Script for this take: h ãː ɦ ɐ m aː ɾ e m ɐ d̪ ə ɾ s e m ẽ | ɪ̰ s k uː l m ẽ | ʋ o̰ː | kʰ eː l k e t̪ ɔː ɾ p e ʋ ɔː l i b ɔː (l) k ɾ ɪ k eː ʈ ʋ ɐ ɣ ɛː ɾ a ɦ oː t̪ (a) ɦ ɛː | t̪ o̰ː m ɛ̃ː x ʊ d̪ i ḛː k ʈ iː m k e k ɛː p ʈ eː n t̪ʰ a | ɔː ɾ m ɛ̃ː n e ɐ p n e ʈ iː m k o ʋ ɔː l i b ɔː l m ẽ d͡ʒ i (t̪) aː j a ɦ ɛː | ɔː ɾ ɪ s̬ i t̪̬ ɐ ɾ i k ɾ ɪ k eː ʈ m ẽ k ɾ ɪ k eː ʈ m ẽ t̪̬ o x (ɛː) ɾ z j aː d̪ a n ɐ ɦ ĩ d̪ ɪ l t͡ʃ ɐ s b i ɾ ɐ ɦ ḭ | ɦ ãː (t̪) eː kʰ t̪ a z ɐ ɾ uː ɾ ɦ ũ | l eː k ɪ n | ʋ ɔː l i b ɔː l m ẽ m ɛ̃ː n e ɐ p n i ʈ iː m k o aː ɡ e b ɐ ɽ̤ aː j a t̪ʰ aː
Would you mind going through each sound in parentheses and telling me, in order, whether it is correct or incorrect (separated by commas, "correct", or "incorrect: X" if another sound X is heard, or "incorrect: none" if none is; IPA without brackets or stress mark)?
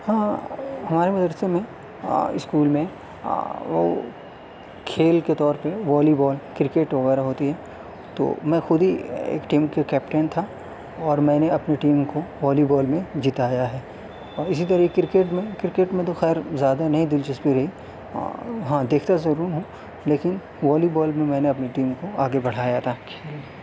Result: correct, incorrect: i, correct, correct, incorrect: d̪